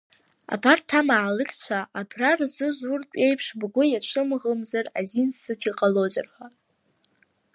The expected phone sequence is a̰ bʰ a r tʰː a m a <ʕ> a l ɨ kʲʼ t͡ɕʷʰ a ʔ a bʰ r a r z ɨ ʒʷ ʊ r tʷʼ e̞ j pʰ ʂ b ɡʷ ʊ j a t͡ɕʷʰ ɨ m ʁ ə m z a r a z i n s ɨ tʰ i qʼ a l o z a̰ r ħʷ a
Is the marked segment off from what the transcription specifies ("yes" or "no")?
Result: no